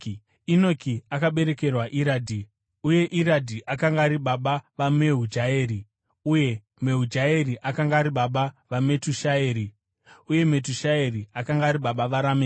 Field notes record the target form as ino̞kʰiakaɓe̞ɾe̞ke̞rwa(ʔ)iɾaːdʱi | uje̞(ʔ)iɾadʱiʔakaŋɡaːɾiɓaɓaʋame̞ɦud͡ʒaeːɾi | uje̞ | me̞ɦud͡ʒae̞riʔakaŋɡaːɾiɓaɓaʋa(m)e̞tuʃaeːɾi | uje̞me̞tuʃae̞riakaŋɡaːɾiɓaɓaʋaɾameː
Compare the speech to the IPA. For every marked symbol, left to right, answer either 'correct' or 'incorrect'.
correct, correct, correct

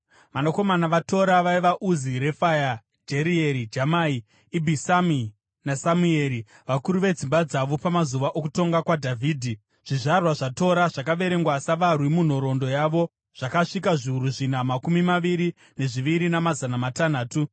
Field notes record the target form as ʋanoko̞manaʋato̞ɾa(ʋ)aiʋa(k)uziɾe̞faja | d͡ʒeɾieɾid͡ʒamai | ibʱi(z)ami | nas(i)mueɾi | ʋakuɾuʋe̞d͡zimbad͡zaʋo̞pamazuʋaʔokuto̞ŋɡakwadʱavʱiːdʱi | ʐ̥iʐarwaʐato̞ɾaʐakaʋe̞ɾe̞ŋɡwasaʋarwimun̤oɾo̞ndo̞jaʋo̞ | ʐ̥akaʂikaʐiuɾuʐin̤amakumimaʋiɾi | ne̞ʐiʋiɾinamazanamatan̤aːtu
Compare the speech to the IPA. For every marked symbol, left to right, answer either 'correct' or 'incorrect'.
correct, incorrect: ʔ, incorrect: s, incorrect: a

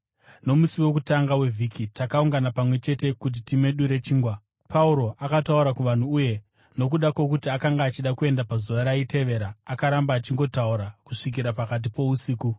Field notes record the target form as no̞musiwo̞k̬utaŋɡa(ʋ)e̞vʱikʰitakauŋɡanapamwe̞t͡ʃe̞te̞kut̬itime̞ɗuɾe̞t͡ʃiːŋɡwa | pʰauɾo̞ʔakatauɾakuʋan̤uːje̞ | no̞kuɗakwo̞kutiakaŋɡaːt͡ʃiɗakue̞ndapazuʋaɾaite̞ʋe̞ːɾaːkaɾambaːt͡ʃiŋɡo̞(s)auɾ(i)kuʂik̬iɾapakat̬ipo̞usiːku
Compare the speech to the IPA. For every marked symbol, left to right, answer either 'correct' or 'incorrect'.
incorrect: w, incorrect: t, incorrect: a

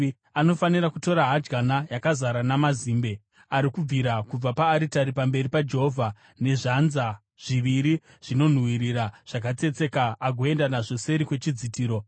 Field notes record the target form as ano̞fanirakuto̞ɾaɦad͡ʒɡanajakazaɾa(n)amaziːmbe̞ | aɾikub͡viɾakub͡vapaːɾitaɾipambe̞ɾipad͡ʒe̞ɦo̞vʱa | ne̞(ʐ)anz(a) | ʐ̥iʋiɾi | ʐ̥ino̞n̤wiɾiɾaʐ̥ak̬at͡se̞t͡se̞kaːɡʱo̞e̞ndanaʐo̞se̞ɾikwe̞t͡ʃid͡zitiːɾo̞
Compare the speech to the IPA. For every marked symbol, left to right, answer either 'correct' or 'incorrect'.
correct, correct, correct

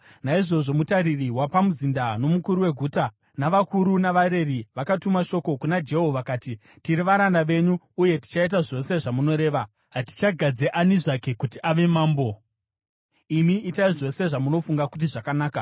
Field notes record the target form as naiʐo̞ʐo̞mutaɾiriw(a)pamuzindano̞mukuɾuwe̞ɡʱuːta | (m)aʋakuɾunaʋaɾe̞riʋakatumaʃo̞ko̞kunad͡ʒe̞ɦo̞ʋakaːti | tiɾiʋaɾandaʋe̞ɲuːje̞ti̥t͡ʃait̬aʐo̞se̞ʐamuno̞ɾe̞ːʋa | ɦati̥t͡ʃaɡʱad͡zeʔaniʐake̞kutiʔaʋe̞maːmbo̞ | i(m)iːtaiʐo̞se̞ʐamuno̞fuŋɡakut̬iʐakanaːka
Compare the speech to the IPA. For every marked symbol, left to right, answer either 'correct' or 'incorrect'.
correct, incorrect: n, correct

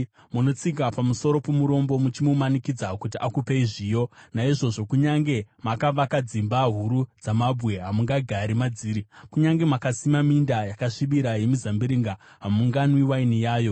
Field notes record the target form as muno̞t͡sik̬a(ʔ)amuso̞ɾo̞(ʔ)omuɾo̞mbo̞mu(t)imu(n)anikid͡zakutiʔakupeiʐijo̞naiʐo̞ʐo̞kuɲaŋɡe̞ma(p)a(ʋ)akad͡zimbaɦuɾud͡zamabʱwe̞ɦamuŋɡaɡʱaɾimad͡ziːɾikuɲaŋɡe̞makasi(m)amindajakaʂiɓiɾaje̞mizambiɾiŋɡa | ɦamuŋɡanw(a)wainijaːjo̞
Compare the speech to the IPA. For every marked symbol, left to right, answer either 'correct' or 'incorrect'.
incorrect: p, incorrect: p, incorrect: t͡ʃ, incorrect: m, incorrect: k, correct, correct, incorrect: i

